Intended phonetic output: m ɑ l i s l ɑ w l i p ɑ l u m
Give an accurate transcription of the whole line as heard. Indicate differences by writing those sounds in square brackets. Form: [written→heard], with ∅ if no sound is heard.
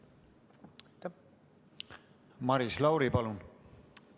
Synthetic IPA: m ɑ [l→ɾ] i s l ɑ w [l→ɾ] i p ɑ l u [m→n]